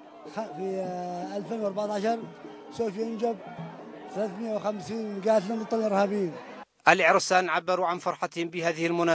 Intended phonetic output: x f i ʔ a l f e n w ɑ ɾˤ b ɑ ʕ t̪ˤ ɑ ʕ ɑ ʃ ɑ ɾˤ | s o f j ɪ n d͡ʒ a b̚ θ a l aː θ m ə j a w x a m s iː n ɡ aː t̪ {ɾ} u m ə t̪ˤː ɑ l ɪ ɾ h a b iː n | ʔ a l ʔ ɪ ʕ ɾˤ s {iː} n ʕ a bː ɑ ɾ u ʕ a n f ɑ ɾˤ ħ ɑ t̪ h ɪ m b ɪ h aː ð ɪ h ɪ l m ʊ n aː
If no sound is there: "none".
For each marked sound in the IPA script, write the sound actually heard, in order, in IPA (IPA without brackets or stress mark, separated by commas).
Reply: l, aː